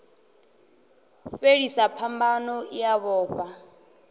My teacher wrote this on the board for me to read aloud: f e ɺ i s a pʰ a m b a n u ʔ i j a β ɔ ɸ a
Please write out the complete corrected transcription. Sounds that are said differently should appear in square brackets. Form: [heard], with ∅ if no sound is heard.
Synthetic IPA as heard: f e ɺ i s a pʰ a m b a n [ɔ] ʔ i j a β [ɔː] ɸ a